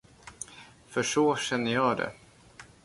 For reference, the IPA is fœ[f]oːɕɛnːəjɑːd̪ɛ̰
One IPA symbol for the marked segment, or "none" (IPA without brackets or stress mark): ʂ